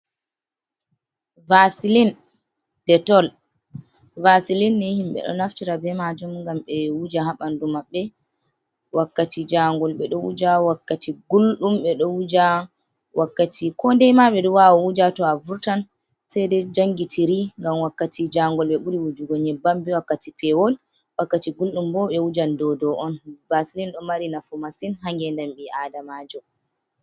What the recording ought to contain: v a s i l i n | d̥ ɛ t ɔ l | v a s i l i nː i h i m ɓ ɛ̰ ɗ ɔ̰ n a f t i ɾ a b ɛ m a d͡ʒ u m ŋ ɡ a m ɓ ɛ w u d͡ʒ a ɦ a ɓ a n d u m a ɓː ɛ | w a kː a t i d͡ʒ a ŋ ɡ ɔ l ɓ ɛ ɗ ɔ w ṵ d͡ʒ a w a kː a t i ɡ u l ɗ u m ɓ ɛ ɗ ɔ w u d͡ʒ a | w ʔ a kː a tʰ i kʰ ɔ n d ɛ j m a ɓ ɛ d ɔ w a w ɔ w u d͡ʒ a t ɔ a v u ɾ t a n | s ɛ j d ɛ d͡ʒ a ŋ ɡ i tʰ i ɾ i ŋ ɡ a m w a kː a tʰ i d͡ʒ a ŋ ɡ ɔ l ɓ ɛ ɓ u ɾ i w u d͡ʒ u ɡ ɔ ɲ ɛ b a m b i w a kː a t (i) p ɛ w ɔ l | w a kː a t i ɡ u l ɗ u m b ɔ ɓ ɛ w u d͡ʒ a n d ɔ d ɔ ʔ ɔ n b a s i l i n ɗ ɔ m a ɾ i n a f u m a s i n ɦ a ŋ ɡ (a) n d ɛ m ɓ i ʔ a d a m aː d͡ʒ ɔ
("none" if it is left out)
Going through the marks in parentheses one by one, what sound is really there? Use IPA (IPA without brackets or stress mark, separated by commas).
i, ɛ